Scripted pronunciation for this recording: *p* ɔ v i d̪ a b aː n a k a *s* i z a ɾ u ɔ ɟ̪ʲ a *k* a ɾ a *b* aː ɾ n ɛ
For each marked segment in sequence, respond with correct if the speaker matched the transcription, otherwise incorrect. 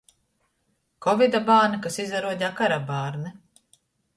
incorrect, correct, correct, correct

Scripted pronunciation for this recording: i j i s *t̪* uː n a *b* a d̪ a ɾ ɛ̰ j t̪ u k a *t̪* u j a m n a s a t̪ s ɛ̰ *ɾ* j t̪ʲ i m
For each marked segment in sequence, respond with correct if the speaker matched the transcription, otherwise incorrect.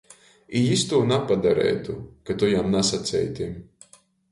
correct, incorrect, correct, incorrect

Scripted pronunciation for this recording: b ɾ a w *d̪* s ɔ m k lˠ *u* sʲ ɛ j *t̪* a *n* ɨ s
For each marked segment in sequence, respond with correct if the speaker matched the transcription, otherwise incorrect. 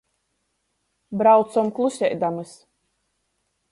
incorrect, correct, incorrect, incorrect

